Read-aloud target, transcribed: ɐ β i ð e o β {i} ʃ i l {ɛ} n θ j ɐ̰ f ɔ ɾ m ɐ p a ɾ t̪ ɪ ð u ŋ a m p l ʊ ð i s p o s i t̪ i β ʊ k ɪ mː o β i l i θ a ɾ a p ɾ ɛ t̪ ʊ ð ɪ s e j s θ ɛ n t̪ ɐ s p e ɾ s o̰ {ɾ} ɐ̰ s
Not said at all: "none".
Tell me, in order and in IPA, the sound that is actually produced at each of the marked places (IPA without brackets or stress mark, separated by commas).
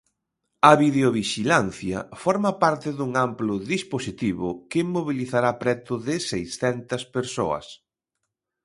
i, a, none